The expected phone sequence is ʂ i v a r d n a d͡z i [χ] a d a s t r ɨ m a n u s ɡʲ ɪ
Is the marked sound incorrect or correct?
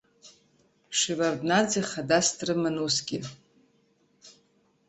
correct